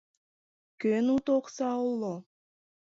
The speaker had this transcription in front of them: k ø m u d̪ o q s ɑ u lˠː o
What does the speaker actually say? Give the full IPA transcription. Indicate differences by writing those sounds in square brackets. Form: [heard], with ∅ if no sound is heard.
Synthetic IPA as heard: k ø [n] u [t̪] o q s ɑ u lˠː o